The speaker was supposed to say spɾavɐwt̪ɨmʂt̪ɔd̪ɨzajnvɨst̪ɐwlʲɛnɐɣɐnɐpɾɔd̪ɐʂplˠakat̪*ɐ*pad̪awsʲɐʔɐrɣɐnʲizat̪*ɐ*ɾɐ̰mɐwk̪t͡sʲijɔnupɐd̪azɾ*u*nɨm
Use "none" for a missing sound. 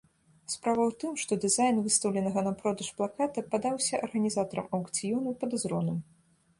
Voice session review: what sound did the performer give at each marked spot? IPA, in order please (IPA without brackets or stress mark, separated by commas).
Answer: ɐ, ɐ, ɔ